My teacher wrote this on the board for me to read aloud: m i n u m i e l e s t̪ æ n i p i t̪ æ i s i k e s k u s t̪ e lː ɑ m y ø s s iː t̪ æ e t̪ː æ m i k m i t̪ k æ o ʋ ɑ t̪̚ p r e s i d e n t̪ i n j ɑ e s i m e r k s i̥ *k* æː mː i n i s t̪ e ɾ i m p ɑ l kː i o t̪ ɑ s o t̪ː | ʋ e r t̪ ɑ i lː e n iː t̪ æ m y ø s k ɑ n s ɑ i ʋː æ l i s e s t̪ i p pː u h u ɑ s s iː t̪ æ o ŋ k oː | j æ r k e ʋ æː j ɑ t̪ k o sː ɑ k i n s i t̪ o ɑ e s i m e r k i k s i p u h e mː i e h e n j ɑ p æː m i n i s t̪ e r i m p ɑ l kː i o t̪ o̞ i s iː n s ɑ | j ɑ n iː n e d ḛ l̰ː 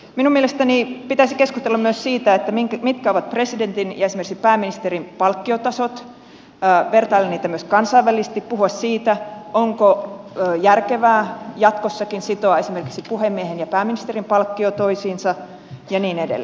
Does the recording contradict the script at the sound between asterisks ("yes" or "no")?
yes